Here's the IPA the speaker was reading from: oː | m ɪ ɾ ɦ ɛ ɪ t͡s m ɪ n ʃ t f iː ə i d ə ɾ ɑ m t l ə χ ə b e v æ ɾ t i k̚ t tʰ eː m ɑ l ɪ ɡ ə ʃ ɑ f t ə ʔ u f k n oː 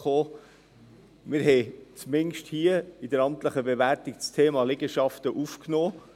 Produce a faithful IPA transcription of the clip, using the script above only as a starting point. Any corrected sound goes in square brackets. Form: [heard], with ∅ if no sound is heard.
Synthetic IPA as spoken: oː | m ɪ ɾ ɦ ɛ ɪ t͡s m ɪ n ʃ t [h] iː ə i d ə ɾ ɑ m t l ə χ ə b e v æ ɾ t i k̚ [t͡s] tʰ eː m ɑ l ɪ ɡ ə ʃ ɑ f t ə ʔ u f k n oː